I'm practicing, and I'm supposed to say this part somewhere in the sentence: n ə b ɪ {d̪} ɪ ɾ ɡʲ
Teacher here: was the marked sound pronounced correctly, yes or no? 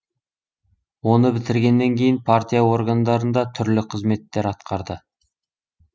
no